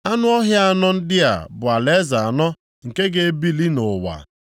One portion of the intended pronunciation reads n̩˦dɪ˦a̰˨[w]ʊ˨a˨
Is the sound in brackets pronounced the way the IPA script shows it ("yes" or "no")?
no